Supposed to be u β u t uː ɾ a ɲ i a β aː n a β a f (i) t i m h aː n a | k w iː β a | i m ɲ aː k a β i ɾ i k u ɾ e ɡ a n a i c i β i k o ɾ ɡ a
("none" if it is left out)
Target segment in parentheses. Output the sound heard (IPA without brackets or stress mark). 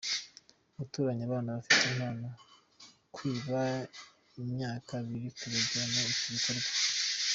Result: i